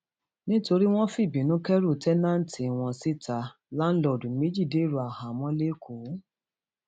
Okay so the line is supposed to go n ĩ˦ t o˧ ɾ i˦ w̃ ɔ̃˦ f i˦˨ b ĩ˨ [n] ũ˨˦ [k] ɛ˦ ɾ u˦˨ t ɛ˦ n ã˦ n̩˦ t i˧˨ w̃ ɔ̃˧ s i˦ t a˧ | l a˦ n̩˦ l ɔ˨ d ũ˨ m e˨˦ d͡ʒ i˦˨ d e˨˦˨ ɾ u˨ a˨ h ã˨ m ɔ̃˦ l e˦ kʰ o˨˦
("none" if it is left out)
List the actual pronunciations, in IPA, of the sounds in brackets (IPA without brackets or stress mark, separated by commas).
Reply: n, k